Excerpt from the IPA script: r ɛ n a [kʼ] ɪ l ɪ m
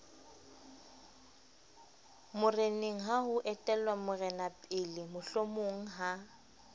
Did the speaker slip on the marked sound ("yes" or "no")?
yes